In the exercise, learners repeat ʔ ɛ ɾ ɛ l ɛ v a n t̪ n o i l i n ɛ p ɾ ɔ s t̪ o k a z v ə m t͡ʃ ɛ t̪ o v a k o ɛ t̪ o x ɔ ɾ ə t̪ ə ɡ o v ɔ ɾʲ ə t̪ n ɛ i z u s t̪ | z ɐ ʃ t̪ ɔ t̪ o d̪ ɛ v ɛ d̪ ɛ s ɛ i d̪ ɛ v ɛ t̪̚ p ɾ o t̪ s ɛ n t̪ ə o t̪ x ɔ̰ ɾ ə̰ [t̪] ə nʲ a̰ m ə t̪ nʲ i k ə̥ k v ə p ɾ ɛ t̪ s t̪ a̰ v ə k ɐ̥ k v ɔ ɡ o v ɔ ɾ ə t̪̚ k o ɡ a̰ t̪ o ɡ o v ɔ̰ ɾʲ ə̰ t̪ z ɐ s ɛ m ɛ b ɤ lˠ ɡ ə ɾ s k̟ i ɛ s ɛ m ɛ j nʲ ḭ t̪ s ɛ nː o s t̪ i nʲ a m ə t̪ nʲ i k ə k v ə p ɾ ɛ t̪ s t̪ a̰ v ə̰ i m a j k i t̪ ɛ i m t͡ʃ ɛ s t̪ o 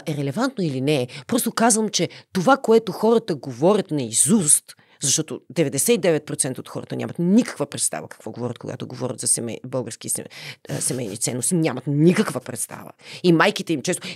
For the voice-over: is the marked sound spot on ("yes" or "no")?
yes